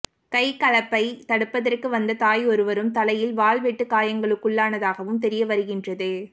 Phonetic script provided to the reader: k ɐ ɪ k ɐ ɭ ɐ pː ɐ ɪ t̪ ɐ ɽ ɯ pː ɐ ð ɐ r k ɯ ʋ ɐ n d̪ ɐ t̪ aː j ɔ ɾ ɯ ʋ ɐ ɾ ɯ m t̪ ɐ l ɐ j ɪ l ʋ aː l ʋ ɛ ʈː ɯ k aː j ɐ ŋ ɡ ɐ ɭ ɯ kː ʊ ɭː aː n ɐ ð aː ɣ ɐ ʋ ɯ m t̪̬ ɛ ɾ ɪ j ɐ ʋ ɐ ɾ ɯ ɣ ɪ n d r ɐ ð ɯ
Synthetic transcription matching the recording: k ɐ ɪ k ɐ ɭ ɐ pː ɐ ɪ t̪ ɐ ɽ ɯ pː ɐ ð ɐ r k ɯ ʋ ɐ n d̪ ɐ t̪ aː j ɔ ɾ ɯ ʋ ɐ ɾ ɯ m t̪ ɐ l ɐ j ɪ l ʋ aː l ʋ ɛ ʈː ɯ k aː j ɐ ŋ ɡ ɐ ɭ ɯ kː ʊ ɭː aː n ɐ ð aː ɣ ɐ ʋ ɯ m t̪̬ ɛ ɾ ɪ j ɐ ʋ ɐ ɾ ɯ ɣ ɪ n d r ɐ ð ɯ